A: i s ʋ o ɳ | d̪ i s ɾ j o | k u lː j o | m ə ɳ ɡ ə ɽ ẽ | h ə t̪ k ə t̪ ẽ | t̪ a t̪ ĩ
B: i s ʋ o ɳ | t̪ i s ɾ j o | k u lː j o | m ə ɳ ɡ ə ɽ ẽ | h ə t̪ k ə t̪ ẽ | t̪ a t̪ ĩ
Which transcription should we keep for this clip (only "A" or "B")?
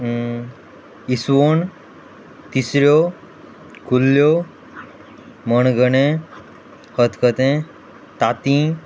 B